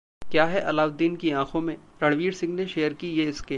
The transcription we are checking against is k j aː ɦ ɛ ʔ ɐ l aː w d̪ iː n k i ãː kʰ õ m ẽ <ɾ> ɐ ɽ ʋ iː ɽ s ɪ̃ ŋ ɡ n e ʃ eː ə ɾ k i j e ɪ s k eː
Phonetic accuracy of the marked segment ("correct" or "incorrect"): correct